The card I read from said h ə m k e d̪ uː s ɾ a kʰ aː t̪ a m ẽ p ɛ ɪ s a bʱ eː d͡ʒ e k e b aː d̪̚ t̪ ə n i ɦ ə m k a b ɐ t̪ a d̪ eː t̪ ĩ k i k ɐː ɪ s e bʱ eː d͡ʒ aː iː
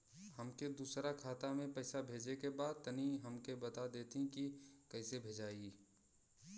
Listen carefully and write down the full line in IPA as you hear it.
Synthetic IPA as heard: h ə m k e d̪ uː s ɾ a kʰ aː t̪ a m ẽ p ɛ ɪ s a bʱ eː d͡ʒ e k e b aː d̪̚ t̪ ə n i ɦ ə m k e b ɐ t̪ a d̪ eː t̪ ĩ k i k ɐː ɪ s e bʱ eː d͡ʒ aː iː